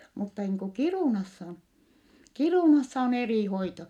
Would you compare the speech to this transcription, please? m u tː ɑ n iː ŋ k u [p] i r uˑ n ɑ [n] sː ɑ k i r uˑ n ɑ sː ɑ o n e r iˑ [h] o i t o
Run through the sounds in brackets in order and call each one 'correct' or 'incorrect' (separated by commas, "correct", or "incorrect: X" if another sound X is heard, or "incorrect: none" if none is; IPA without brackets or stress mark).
incorrect: k, incorrect: none, correct